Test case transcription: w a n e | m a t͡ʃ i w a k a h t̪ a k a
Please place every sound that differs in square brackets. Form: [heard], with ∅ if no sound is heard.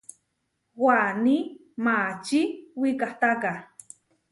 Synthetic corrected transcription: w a n [i] | m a t͡ʃ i w [i] k a h t̪ a k a